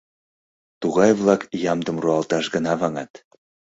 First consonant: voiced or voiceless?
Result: voiceless